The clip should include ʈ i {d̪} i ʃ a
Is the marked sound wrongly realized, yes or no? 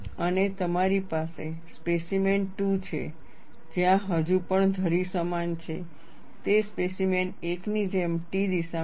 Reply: no